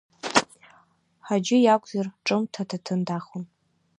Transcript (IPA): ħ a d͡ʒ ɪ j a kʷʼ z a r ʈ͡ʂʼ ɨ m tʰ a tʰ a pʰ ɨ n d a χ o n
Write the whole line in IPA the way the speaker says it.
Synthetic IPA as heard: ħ a d͡ʒ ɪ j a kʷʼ z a r ʈ͡ʂʼ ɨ m tʰ a tʰ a tʰ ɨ n d a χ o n